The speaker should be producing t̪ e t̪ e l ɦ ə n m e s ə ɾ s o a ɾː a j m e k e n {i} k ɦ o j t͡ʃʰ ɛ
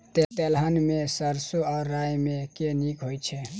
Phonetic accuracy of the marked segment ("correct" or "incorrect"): correct